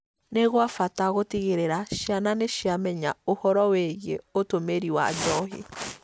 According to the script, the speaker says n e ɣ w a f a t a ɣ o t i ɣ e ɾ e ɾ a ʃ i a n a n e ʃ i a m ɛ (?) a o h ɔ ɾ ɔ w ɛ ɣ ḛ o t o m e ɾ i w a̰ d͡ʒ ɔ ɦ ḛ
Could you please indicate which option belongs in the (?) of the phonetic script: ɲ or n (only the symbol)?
ɲ